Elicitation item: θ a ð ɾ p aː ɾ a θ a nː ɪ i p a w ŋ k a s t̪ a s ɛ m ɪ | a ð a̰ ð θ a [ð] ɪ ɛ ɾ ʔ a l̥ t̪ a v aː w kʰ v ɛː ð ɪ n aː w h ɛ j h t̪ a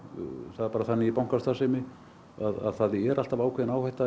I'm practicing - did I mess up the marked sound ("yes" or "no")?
no